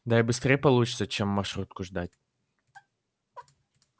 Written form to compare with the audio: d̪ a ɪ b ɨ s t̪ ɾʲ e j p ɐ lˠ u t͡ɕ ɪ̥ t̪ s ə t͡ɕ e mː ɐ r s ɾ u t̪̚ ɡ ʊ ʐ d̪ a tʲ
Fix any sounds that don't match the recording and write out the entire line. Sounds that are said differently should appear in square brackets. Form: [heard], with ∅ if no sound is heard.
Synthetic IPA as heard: d̪ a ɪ b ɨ s t̪ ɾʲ e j p ɐ lˠ u t͡ɕ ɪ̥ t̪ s ə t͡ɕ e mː ɐ r [ʂ] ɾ u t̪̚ [k] ʊ ʐ d̪ a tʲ